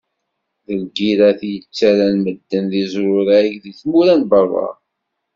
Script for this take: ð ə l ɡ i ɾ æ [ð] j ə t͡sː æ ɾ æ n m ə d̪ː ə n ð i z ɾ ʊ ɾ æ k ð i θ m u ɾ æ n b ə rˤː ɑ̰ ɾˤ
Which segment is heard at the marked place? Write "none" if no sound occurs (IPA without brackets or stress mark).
θ